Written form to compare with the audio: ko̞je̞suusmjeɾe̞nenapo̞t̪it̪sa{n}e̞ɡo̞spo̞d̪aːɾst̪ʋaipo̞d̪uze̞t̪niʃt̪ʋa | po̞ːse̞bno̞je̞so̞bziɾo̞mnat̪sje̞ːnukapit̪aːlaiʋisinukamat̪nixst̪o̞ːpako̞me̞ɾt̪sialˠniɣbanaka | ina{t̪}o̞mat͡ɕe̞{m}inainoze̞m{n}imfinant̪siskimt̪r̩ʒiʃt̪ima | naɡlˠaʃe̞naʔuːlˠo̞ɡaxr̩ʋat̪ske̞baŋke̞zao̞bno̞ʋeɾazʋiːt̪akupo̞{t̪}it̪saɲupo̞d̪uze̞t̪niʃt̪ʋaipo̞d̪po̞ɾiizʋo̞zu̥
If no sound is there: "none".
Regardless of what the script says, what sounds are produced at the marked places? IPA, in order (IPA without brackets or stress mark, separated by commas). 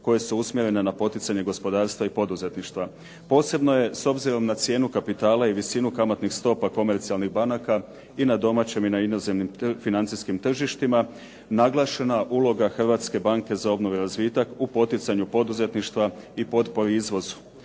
ɲ, d̪, m, n, t̪